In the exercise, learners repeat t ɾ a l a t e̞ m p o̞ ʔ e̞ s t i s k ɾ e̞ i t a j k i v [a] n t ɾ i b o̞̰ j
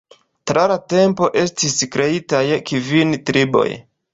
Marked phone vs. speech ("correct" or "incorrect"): incorrect